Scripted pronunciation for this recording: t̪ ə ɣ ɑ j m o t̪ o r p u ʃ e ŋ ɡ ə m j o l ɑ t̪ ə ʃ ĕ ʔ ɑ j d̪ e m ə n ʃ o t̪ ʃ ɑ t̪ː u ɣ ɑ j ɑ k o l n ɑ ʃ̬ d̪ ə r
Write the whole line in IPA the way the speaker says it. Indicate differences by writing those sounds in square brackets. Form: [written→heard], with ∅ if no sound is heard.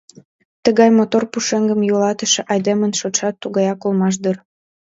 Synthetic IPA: t̪ ə ɣ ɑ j m o t̪ o r p u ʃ e ŋ ɡ ə m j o l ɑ t̪ ə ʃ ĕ ʔ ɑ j d̪ e m ə n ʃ o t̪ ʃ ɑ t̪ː u ɣ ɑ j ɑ k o l [n→m] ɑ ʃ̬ d̪ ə r